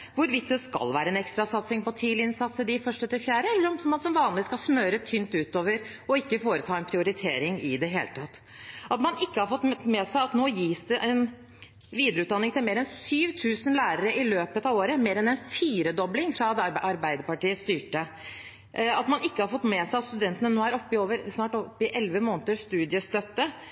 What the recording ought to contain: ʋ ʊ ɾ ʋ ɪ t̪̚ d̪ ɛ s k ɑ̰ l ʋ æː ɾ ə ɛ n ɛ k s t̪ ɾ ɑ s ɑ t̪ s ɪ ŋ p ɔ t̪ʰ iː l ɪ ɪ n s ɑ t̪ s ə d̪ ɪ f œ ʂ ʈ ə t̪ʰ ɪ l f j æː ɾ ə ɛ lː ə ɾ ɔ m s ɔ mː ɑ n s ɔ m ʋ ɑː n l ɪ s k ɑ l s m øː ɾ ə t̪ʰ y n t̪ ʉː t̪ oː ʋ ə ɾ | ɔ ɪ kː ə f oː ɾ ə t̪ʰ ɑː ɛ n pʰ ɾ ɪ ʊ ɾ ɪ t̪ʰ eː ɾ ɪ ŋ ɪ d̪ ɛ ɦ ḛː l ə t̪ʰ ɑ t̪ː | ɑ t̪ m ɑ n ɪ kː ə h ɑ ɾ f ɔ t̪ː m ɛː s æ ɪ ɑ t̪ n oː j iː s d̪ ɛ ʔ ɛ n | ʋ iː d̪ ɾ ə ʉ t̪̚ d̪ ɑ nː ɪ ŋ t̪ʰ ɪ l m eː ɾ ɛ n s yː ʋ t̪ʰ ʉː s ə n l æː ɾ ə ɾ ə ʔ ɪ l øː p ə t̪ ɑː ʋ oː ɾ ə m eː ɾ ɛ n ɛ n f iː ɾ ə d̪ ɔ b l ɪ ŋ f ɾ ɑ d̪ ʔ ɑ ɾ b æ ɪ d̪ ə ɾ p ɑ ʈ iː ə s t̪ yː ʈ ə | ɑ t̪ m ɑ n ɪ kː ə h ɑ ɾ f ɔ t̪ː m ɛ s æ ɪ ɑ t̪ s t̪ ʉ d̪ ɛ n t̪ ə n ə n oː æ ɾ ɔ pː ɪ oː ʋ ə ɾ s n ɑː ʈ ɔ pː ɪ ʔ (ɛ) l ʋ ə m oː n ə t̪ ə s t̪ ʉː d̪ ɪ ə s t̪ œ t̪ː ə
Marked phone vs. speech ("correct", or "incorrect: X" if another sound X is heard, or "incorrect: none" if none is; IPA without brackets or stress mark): correct